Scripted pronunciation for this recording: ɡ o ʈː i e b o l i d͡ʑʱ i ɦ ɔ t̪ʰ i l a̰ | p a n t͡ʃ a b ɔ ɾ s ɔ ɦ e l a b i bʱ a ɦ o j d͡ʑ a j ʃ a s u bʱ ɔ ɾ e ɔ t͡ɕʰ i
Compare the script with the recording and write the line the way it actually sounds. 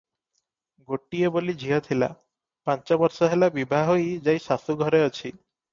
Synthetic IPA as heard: ɡ o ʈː i e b o l i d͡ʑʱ i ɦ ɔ t̪ʰ i l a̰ | p a n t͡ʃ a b ɔ ɾ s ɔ ɦ e l a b i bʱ a ɦ o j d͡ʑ a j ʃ a s u ɡʱ ɔ ɾ e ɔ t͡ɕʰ i